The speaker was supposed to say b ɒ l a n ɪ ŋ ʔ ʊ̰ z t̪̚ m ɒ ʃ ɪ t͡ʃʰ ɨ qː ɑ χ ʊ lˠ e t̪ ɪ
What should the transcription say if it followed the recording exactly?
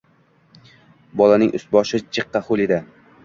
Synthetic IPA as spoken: b ɒ l a n ɪ ŋ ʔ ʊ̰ s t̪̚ b ɒ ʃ ɪ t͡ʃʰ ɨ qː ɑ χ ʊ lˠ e d̪ ɪ